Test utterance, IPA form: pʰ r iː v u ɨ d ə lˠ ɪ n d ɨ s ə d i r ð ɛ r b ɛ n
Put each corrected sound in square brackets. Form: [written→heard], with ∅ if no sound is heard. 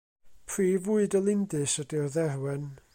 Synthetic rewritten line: pʰ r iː v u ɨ d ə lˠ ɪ n d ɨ s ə d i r ð ɛ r [b→w] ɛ n